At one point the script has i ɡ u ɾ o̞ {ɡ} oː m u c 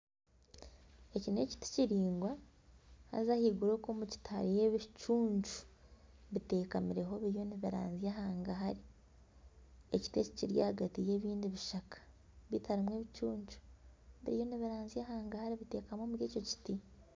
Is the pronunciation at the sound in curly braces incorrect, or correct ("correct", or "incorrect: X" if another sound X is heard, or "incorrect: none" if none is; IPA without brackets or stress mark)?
incorrect: k